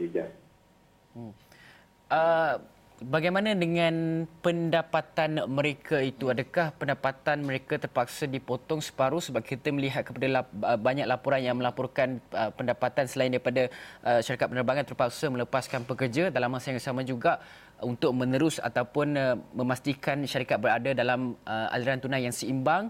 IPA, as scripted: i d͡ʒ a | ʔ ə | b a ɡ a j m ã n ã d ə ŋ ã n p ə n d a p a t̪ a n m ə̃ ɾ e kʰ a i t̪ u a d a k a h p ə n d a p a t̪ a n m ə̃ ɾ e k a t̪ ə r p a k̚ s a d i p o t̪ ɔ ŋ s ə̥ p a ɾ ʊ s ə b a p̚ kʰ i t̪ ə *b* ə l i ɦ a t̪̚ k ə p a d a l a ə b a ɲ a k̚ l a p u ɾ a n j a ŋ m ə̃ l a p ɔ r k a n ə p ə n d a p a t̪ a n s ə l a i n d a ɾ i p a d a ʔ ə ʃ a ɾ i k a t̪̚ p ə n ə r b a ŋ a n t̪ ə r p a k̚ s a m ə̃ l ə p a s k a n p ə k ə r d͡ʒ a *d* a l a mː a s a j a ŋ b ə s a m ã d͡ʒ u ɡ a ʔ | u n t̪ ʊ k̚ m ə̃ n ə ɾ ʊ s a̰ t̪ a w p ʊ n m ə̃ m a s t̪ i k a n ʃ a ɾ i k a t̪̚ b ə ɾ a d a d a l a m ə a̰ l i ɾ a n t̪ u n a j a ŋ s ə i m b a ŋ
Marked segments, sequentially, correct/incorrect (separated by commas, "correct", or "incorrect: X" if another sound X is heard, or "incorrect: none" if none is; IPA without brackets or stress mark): incorrect: m, correct